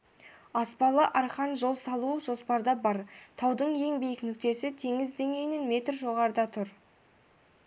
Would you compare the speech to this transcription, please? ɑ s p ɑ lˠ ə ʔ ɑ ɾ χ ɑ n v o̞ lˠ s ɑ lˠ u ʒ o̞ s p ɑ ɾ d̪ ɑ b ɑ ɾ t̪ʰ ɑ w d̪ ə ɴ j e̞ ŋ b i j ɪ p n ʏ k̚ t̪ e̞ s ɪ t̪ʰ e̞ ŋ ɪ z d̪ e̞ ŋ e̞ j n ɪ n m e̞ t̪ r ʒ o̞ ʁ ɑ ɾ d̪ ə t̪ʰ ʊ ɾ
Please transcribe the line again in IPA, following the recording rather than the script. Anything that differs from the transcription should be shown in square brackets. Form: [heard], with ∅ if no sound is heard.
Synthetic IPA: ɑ s p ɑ lˠ ə ʔ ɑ ɾ χ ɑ n [ʒ] o̞ lˠ s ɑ lˠ u ʒ o̞ s p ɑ ɾ d̪ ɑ b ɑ ɾ t̪ʰ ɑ w d̪ ə ɴ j e̞ ŋ b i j ɪ [k] n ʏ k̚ t̪ e̞ s ɪ t̪ʰ e̞ ŋ ɪ z d̪ e̞ ŋ e̞ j n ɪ n m e̞ t̪ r ʒ o̞ ʁ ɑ ɾ d̪ [ɑ] t̪ʰ ʊ ɾ